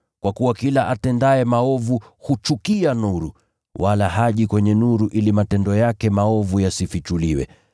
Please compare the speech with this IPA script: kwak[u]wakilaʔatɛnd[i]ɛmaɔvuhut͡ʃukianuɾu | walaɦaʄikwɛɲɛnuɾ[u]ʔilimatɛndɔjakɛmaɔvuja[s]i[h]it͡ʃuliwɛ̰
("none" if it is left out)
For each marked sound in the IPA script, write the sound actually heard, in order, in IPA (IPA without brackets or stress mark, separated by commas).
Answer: u, a, u, s, f